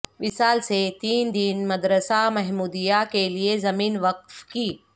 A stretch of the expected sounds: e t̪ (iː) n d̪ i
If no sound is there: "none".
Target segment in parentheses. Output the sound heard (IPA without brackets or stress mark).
iː